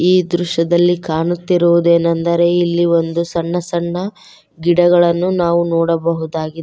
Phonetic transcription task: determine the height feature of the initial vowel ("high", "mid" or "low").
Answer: high